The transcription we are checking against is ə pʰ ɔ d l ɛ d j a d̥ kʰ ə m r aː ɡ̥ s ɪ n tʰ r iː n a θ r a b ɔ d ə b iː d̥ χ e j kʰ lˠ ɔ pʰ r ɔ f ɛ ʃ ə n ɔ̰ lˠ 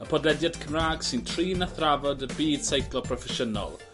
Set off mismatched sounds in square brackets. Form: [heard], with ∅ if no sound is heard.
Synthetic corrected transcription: ə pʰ ɔ d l ɛ d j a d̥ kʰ ə m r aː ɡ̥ s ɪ n tʰ r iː n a θ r a [v] ɔ d ə b iː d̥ [s] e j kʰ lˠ ɔ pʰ r ɔ f ɛ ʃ ə n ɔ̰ lˠ